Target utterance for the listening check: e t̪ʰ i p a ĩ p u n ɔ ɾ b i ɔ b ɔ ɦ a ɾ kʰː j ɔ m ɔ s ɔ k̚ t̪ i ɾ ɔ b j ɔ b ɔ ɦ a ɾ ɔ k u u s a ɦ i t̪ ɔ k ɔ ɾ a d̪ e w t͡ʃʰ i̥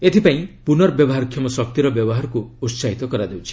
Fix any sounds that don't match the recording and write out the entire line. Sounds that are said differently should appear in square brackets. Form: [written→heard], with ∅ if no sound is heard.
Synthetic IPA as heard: e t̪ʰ i p a ĩ p u n ɔ ɾ b [i→j] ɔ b ɔ ɦ a ɾ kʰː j ɔ m ɔ s ɔ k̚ t̪ i ɾ ɔ b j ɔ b ɔ ɦ a ɾ ɔ k u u s a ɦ i t̪ ɔ k ɔ ɾ a d̪ e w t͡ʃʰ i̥